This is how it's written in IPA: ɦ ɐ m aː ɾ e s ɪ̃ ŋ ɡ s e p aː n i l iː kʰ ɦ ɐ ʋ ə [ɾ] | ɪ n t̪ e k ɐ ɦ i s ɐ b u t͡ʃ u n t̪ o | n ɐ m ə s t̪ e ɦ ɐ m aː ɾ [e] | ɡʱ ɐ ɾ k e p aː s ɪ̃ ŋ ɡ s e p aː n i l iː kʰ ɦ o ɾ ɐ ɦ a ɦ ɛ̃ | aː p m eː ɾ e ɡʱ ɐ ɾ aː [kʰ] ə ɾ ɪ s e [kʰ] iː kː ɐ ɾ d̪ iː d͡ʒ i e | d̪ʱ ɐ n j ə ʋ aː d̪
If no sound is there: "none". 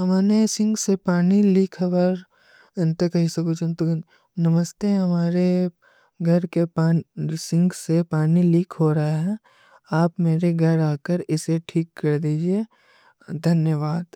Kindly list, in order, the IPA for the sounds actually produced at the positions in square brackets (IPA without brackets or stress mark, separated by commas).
ɾ, e, k, ʈʰ